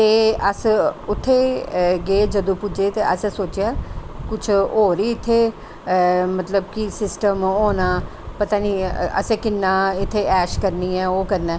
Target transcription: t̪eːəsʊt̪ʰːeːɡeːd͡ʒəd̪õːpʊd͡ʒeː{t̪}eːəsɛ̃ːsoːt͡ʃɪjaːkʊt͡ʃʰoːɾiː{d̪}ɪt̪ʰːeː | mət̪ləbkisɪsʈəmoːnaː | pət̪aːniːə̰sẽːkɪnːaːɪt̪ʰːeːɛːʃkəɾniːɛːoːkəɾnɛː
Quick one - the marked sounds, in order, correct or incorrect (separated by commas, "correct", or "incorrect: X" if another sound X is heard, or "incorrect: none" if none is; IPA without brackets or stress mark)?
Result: correct, incorrect: none